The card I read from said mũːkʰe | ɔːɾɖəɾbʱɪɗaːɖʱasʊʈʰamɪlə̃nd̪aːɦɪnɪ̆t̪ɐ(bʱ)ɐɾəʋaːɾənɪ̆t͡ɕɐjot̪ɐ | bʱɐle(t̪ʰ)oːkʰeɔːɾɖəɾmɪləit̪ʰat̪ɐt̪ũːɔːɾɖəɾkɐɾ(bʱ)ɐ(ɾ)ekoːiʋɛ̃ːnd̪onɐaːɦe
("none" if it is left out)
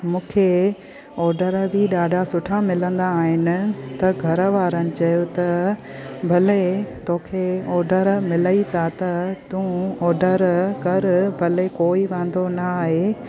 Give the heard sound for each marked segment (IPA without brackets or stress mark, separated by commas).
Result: ɡʱ, t̪, bʱ, l